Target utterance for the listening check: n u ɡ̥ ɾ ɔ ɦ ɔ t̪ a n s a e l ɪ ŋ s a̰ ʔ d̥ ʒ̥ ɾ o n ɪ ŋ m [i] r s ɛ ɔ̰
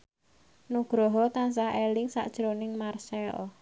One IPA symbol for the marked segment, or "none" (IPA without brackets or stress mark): a